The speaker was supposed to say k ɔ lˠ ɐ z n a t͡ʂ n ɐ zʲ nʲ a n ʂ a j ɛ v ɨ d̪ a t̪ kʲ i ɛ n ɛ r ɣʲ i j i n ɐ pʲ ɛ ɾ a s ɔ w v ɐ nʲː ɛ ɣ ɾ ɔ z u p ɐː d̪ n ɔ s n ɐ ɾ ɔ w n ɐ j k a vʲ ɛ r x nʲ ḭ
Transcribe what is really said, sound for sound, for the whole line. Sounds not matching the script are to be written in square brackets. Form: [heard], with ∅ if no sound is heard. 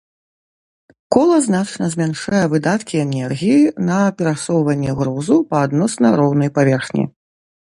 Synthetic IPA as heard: k ɔ lˠ ɐ z n a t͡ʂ n ɐ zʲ [mʲ] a n ʂ a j ɛ v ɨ d̪ a t̪ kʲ i ɛ n ɛ r ɣʲ i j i n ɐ pʲ ɛ ɾ a s ɔ w v ɐ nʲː ɛ ɣ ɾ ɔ z u p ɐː d̪ n ɔ s n ɐ ɾ ɔ w n ɐ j [p] a vʲ ɛ r x nʲ ḭ